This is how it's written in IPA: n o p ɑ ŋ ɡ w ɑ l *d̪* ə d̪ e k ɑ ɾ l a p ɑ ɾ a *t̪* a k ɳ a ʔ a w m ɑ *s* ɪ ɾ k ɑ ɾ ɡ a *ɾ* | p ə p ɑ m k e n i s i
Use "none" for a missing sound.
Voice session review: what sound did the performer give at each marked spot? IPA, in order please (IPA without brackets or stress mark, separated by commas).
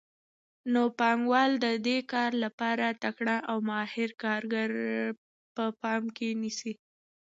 d̪, t̪, h, ɾ